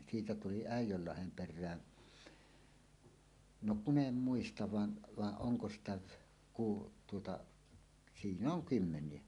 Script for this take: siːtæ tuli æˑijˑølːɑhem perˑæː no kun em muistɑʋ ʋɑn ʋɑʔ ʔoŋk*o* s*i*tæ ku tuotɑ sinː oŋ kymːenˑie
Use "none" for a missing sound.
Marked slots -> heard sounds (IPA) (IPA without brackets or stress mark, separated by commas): o, i